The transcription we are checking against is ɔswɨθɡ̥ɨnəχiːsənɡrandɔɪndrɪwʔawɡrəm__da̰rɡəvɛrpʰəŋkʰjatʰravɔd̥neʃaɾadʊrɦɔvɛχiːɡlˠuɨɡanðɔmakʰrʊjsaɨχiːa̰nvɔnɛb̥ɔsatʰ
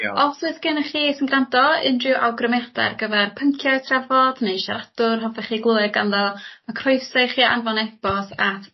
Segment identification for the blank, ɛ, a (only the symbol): ɛ